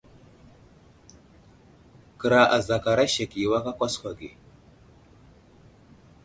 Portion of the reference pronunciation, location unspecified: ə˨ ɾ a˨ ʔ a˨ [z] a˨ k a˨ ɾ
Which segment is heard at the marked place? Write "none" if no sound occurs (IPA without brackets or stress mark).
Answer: z